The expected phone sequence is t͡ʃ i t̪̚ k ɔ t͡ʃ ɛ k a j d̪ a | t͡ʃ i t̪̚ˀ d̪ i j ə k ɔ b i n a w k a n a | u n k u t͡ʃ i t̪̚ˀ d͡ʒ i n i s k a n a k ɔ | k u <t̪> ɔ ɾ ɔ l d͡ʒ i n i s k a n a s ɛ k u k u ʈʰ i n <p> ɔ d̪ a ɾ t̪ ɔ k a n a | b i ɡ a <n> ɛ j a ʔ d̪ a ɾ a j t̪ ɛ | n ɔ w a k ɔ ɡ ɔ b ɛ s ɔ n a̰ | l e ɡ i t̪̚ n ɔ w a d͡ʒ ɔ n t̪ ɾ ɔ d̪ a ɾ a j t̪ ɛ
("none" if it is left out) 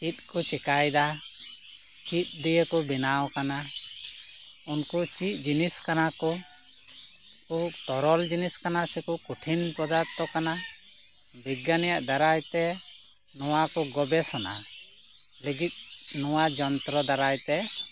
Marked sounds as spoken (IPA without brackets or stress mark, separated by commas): t̪, p, n